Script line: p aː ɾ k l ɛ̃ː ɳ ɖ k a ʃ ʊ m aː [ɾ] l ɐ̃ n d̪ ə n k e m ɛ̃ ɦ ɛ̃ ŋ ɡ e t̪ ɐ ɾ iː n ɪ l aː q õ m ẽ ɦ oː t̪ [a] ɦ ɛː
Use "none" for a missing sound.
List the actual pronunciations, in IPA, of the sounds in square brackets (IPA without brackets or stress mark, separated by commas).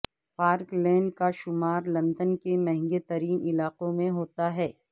ɾ, a